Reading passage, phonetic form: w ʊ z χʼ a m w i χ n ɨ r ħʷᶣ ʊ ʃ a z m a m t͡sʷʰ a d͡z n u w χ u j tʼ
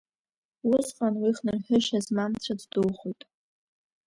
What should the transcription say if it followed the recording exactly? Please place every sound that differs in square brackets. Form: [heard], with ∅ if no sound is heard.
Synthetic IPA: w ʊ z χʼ a [n] w i χ n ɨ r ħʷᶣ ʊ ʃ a z m a m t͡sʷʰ a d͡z [d] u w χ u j tʼ